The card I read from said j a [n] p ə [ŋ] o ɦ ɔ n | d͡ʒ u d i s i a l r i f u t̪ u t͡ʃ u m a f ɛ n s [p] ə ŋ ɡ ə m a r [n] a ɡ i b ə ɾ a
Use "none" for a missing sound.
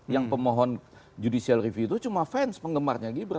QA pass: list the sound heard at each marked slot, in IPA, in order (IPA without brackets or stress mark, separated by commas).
ŋ, m, p, ɲ